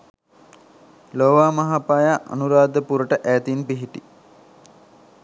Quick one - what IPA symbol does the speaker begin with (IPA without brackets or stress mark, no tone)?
l